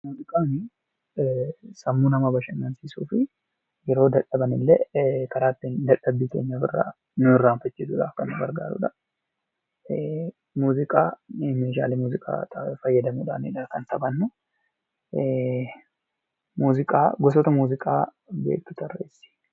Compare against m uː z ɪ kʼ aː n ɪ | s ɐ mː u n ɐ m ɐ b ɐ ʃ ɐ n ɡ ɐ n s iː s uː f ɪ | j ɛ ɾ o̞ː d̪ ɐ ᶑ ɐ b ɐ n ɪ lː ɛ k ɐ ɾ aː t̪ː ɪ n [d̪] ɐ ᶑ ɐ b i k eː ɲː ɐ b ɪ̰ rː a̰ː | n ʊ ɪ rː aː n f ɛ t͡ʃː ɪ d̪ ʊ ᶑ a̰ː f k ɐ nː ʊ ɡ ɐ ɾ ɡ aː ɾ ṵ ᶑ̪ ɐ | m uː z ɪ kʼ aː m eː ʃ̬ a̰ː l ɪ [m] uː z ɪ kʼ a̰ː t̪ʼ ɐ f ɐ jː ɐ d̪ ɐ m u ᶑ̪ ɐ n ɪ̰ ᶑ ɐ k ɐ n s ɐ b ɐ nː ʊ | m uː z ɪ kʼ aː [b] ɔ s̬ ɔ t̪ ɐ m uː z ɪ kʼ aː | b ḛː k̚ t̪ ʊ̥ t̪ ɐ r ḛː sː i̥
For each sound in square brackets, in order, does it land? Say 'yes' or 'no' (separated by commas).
yes, yes, no